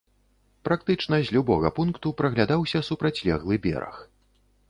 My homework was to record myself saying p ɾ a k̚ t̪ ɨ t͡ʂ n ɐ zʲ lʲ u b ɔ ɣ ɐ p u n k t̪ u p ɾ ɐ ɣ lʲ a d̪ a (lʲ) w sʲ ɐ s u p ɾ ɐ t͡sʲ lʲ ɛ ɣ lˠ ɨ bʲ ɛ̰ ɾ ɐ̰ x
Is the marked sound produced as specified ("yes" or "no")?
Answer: no